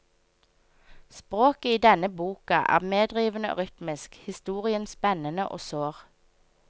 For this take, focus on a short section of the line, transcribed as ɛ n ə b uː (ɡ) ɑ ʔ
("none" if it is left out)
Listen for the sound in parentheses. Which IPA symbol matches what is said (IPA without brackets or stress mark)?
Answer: k